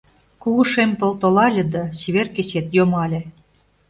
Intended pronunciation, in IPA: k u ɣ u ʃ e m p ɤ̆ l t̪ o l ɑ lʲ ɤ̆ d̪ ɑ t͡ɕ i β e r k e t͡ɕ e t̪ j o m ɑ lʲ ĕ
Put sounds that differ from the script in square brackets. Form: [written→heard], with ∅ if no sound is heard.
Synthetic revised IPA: k u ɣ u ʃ e m p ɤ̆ l t̪ o l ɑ lʲ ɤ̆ d̪ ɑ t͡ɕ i β e r k e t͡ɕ e t̪ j o m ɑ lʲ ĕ